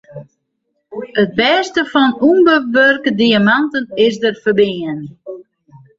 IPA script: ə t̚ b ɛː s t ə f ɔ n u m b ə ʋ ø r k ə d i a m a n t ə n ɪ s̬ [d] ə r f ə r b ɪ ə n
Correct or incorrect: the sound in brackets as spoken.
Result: correct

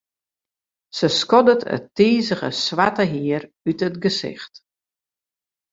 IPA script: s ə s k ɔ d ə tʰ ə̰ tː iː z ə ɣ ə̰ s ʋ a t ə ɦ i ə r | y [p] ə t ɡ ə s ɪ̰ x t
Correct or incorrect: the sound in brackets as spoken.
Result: incorrect: t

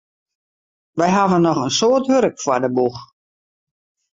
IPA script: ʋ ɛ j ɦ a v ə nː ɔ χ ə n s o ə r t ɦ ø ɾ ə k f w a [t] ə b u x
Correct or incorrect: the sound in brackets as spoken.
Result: incorrect: d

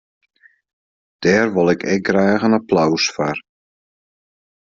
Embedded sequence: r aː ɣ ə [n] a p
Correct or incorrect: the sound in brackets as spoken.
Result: correct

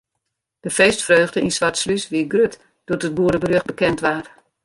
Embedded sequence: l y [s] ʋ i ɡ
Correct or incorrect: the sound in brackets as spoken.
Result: correct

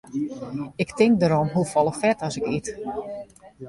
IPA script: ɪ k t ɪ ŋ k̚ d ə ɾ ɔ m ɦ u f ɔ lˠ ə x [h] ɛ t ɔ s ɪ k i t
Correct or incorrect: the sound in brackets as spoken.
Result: incorrect: f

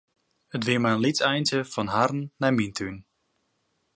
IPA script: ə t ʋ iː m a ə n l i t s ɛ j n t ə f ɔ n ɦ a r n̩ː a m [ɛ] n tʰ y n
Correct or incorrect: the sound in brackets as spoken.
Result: incorrect: i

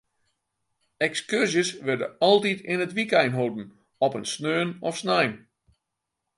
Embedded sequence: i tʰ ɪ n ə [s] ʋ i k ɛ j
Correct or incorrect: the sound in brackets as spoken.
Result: incorrect: t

